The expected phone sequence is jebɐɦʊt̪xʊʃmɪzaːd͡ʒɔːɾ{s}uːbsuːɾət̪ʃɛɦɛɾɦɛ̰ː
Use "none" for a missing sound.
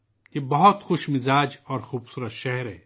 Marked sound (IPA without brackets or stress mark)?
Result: x